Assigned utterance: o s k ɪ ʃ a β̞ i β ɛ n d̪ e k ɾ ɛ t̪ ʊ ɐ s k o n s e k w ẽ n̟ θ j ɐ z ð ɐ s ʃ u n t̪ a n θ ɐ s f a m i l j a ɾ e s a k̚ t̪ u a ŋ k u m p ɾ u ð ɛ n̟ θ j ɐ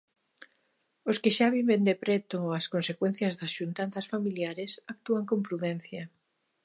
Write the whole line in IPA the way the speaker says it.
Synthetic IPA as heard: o s k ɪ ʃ a β̞ i β e n d̪ e p ɾ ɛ t̪ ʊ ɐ s k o n s e k w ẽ n̟ θ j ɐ z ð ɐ s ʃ u n t̪ a n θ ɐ s f a m i l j a ɾ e s a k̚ t̪ u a ŋ k o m p ɾ u ð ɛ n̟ θ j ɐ